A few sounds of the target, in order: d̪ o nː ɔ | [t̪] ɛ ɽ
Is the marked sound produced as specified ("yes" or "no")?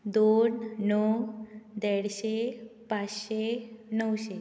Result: no